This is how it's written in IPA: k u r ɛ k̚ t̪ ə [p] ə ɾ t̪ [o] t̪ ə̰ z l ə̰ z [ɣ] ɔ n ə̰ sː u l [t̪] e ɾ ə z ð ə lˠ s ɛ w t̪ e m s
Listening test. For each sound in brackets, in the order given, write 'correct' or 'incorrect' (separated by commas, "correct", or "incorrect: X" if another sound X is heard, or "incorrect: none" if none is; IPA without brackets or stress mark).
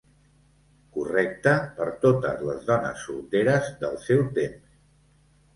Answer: correct, correct, incorrect: ð, correct